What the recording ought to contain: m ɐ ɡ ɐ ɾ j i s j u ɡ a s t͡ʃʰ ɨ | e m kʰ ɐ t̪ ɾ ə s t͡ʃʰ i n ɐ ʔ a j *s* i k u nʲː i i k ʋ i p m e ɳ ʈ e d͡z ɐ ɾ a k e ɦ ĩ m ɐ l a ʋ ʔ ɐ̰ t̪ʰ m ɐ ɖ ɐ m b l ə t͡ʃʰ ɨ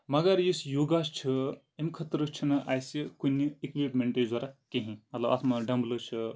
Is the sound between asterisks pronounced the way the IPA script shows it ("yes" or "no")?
yes